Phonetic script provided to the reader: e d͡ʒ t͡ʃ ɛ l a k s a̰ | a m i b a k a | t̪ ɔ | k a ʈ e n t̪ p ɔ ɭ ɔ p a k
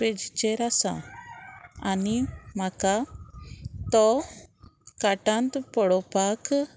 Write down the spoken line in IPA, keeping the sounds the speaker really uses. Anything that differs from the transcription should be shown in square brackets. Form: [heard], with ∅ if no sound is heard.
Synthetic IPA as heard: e d͡ʒ t͡ʃ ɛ [ɾ] a [∅] s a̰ | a [n] i [m] a k a | t̪ ɔ | k a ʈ [a] n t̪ p ɔ [ɽ] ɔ p a k